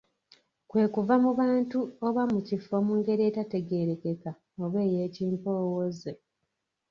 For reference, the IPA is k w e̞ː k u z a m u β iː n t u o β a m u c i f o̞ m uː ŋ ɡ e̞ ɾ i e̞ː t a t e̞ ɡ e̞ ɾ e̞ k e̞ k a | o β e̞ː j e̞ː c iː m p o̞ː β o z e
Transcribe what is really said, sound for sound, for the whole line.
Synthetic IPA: k w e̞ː k u v a m u β aː n t u o β a m u c i f o̞ m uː ŋ ɡ e̞ ɾ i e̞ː t a t e̞ ɡ e̞ ɾ e̞ k e̞ k a | o β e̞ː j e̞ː c iː m p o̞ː w o z e

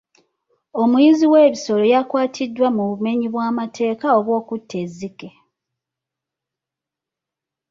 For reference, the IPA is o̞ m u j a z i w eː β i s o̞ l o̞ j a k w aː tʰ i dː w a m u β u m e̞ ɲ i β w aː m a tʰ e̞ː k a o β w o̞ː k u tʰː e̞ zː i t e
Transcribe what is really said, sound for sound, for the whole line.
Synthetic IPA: o̞ m u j i z i w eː β i s o̞ l o̞ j a k w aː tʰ i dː w a m u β u m e̞ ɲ i β w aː m a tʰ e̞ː k a o β w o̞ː k u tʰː e̞ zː i k e

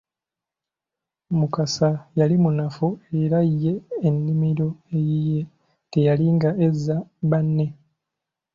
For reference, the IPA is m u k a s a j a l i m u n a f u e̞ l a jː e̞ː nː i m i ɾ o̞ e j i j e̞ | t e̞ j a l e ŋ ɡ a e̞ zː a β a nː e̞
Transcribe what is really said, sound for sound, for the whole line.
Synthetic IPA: m u k a s a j a l i m u n a f u e̞ ɾ a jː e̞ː nː i m i ɾ o̞ e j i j e̞ | t e̞ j a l i ŋ ɡ a e̞ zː a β a nː e̞

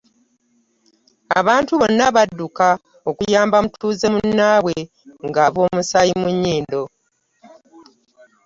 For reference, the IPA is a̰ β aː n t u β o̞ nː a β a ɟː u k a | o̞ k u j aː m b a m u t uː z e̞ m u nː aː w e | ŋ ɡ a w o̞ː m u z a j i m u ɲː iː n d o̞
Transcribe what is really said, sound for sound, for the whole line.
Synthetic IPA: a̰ β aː n t u β o̞ nː a β a dː u k a | o̞ k u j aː m b a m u t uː z e̞ m u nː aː w e | ŋ ɡ a β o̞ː m u s a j i m u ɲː iː n d o̞

